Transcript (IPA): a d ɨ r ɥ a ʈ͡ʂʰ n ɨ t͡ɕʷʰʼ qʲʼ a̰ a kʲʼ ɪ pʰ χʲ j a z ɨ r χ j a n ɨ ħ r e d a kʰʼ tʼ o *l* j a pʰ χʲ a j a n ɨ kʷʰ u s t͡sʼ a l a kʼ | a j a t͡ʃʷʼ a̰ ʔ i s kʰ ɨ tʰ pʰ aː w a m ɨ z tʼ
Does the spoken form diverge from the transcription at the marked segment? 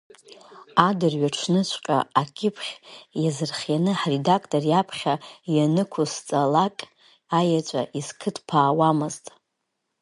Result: yes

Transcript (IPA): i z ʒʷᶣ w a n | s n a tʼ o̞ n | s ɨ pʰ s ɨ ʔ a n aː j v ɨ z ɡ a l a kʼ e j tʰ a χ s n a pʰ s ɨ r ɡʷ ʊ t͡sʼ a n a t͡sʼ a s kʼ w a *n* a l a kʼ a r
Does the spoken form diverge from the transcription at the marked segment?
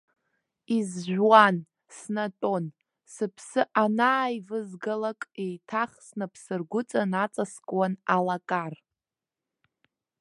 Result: no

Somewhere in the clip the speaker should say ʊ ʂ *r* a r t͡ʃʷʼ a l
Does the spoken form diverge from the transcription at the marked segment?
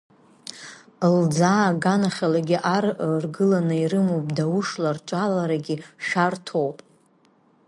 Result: yes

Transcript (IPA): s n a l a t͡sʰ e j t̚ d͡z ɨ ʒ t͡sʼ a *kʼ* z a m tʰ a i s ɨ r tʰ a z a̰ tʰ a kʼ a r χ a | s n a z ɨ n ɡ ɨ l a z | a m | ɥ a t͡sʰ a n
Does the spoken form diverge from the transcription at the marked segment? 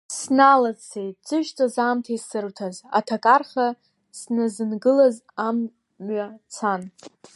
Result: yes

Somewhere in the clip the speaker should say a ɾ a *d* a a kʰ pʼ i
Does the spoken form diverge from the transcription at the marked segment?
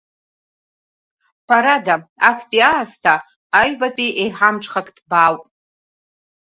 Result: no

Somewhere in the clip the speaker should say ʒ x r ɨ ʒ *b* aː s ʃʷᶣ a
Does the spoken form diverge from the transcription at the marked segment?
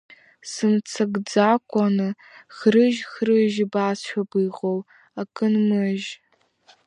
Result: no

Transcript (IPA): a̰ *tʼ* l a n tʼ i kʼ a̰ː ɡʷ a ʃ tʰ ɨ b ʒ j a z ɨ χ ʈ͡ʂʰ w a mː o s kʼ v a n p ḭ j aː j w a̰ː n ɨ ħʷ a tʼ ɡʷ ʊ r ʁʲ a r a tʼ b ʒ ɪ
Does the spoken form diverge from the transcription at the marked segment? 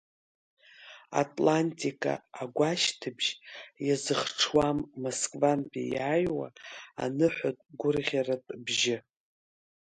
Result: no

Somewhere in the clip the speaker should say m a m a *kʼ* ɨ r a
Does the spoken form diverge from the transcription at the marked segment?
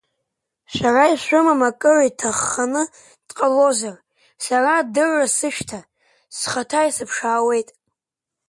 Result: no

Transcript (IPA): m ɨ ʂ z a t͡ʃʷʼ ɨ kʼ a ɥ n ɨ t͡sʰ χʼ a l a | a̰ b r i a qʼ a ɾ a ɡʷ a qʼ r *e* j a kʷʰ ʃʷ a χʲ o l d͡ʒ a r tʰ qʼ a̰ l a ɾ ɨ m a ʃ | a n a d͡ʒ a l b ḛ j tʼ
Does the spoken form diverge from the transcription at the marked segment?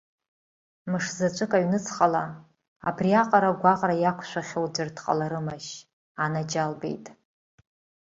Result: yes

